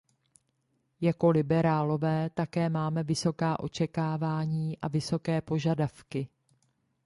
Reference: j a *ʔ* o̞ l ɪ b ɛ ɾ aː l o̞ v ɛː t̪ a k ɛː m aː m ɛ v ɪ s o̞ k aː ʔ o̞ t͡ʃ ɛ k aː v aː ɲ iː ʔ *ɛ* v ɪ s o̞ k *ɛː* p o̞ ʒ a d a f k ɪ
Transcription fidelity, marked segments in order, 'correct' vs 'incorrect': incorrect, incorrect, correct

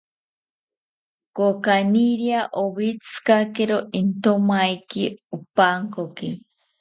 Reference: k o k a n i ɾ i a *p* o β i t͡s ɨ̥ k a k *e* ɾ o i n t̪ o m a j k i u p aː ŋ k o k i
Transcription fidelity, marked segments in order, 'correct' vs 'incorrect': incorrect, correct

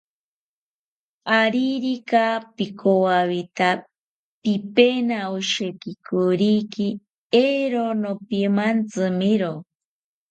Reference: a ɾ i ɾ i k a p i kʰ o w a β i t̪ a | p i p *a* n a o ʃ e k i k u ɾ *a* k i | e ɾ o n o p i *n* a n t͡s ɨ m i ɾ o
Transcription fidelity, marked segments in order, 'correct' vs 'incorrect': incorrect, incorrect, incorrect

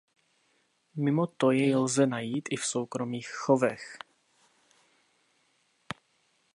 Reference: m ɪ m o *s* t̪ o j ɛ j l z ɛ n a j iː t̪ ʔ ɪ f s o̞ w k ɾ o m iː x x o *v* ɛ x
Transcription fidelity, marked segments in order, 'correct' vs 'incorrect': incorrect, correct

